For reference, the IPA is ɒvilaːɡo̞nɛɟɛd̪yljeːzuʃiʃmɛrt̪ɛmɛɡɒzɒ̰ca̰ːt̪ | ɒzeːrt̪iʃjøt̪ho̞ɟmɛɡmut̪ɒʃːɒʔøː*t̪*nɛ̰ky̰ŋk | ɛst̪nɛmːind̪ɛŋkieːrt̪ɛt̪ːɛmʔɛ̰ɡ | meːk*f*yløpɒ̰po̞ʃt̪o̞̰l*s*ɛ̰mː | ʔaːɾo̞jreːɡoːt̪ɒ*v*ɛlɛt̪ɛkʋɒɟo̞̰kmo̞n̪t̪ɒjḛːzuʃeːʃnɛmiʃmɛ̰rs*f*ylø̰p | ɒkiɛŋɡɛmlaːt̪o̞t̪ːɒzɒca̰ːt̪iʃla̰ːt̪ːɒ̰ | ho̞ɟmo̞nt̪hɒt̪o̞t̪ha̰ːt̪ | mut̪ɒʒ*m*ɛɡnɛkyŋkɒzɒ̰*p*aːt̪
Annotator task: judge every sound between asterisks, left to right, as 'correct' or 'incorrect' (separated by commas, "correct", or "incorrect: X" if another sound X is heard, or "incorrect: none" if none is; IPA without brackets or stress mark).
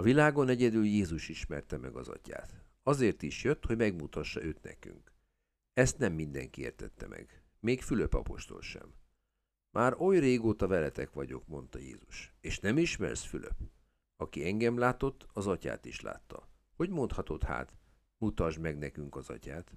correct, correct, incorrect: ʃ, correct, correct, correct, incorrect: c